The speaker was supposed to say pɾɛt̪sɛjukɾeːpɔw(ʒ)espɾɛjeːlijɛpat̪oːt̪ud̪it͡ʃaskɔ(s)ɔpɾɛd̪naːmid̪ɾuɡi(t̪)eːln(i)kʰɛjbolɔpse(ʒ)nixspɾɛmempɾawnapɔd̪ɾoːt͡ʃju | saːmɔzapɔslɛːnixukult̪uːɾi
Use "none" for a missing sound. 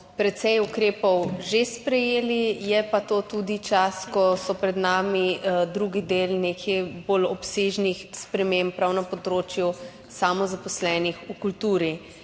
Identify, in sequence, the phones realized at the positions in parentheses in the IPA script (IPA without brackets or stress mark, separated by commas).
ʒ, s, d̪, e, ʒ